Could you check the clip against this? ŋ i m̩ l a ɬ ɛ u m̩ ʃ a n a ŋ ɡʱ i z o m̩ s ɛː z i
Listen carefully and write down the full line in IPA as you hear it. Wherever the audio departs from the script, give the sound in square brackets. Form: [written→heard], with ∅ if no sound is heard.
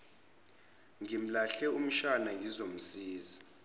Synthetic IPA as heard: ŋ i m̩ l a ɬ ɛ u m̩ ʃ a n a ŋ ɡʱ i z o m̩ s [ɛː→iː] z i